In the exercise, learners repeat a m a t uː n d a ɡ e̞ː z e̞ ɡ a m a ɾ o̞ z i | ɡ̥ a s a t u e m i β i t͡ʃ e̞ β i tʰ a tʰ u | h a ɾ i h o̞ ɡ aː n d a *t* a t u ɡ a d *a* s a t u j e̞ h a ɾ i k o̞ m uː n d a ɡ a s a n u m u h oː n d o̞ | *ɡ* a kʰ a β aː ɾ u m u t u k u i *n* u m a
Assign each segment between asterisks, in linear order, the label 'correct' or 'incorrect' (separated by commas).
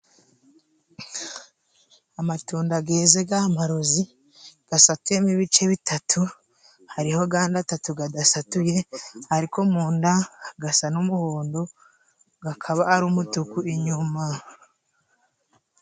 correct, correct, correct, incorrect